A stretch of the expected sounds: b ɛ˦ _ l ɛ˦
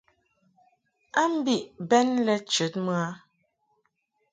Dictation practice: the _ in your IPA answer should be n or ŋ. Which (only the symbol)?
n